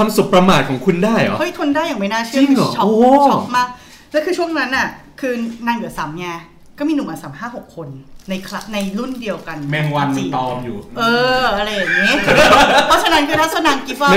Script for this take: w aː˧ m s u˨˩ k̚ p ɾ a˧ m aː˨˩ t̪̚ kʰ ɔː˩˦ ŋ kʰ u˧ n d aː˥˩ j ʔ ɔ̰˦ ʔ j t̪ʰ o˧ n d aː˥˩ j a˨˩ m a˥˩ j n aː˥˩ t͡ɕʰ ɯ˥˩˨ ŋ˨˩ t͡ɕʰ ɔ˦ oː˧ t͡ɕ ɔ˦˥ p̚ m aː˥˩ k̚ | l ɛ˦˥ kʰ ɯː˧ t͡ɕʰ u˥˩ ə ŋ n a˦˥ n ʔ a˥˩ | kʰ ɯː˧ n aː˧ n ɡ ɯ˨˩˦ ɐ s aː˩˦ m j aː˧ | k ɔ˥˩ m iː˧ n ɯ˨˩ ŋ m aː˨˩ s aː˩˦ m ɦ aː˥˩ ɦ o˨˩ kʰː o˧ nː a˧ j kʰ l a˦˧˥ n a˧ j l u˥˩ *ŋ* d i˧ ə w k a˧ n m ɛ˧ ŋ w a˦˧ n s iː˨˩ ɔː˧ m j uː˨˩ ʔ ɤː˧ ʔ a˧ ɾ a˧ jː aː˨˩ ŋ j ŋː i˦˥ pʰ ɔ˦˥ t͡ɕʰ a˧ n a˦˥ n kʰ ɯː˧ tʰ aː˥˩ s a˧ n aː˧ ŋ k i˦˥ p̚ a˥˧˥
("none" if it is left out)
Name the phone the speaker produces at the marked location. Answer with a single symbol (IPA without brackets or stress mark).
n